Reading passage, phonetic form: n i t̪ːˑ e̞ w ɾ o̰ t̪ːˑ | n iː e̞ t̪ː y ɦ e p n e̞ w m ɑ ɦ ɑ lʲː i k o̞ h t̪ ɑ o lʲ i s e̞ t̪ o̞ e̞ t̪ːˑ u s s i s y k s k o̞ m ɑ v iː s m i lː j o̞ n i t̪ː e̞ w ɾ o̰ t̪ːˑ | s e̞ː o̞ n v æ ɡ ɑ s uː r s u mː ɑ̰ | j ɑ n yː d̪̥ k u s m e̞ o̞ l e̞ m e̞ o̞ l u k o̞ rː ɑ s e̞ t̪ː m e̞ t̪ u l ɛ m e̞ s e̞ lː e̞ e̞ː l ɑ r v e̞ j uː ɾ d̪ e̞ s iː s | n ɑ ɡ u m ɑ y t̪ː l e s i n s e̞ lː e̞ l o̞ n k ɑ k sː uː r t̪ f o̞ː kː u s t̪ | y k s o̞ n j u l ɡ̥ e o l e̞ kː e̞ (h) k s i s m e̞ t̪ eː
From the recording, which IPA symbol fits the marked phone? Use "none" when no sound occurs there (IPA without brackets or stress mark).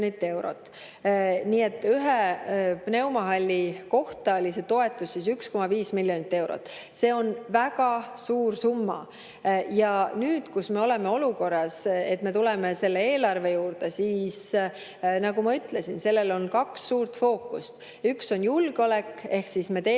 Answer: h